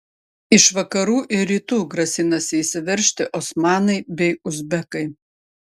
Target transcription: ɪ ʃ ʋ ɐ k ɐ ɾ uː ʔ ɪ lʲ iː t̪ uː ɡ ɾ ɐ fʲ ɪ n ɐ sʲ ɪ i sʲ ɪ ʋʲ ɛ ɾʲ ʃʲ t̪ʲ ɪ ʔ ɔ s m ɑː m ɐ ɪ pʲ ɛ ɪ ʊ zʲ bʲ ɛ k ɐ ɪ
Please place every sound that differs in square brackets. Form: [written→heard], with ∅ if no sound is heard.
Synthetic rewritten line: ɪ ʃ ʋ ɐ k ɐ ɾ uː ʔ ɪ [lʲ→ɾʲ] iː t̪ uː ɡ ɾ ɐ [fʲ→sʲ] ɪ n ɐ sʲ ɪ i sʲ ɪ ʋʲ ɛ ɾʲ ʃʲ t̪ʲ ɪ ʔ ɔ s m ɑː [m→n] ɐ ɪ [pʲ→bʲ] ɛ ɪ ʊ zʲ bʲ ɛ k ɐ ɪ